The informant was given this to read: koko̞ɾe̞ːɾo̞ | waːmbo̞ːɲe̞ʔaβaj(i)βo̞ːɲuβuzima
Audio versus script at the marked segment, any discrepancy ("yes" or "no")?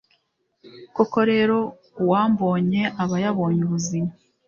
yes